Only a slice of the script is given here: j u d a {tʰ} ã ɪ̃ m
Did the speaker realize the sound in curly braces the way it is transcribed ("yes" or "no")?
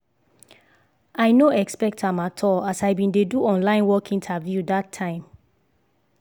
yes